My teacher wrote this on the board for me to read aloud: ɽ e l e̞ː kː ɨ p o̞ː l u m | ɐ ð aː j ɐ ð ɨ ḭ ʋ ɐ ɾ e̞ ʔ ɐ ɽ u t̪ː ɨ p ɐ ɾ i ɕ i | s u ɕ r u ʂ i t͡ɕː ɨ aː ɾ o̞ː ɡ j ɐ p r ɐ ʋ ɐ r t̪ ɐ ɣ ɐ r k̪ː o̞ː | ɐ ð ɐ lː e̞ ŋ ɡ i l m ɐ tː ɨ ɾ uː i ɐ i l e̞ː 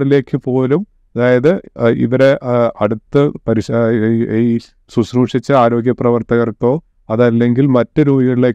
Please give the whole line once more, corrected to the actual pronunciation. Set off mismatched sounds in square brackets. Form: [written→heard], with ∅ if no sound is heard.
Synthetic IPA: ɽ [e→i] l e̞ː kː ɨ p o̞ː l u m | ɐ ð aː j ɐ ð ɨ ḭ ʋ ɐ ɾ e̞ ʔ ɐ ɽ u t̪ː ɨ p ɐ ɾ i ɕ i | s u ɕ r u ʂ i t͡ɕː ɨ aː ɾ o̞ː ɡ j ɐ p r ɐ ʋ ɐ r t̪ ɐ ɣ ɐ r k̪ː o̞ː | ɐ ð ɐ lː e̞ ŋ ɡ i l m ɐ tː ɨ ɾ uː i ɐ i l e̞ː